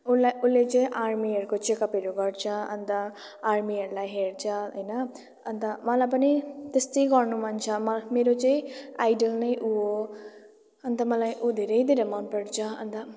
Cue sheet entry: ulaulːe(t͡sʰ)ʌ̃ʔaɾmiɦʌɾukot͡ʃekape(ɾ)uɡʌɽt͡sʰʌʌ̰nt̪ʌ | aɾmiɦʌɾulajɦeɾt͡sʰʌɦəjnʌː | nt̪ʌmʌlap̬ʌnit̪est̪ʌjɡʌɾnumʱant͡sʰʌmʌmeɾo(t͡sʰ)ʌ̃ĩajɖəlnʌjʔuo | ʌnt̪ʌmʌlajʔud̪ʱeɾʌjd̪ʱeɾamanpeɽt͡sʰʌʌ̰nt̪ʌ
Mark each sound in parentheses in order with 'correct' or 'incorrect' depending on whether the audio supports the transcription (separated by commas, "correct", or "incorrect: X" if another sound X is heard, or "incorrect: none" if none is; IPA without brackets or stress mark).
incorrect: t͡s, correct, incorrect: t͡s